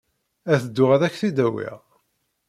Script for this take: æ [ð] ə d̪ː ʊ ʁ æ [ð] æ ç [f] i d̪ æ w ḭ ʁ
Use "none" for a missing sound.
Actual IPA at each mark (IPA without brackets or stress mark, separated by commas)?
θ, ð, θ